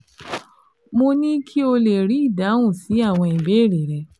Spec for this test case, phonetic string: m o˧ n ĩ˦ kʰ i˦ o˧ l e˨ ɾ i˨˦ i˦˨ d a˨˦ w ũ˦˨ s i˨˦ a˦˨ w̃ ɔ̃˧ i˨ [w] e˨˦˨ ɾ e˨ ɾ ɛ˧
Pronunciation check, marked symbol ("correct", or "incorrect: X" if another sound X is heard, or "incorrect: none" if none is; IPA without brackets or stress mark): incorrect: b